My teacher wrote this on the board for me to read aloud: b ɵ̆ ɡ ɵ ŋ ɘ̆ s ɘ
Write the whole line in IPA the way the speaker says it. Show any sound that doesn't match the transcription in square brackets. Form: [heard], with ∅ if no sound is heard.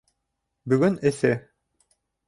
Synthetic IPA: b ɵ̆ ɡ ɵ [n] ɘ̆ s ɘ